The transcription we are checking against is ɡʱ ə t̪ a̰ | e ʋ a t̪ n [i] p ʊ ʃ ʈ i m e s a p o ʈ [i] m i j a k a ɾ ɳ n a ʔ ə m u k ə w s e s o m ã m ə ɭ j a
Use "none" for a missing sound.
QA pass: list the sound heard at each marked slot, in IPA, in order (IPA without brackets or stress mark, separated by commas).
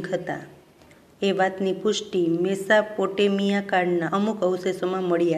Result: i, e